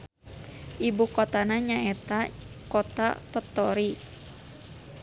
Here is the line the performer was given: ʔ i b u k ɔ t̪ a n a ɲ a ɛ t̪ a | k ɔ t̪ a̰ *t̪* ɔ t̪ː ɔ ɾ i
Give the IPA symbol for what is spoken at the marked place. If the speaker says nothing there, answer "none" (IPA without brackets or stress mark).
t̪